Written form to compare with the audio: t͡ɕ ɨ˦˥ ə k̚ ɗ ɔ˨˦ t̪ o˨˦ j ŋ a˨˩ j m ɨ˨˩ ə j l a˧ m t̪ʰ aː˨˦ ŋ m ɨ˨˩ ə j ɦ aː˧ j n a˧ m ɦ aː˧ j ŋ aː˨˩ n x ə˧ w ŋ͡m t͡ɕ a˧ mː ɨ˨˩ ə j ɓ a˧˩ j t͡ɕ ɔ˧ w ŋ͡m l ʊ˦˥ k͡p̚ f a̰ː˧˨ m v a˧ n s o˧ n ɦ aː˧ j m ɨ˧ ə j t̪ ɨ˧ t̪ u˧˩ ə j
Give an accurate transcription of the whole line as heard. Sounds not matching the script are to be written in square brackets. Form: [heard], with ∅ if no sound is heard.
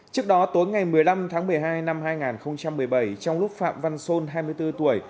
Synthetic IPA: t͡ɕ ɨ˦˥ ə k̚ ɗ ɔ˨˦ t̪ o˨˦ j ŋ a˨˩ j m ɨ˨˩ ə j l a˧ m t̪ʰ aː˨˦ ŋ m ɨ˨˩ ə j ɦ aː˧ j n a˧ m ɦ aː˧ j ŋ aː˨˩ n x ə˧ w ŋ͡m t͡ɕ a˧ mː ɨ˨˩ ə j ɓ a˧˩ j t͡ɕ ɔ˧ w ŋ͡m l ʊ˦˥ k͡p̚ f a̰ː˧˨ m v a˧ n s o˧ n ɦ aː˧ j m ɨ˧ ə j t̪ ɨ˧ t̪ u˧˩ ə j